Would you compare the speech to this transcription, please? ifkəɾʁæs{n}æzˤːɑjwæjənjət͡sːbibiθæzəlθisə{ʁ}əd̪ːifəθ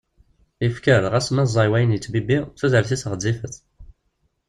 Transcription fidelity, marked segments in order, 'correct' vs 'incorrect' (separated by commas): incorrect, correct